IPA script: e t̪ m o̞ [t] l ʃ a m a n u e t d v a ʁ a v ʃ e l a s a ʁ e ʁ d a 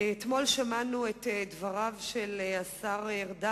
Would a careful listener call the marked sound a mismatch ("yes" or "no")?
yes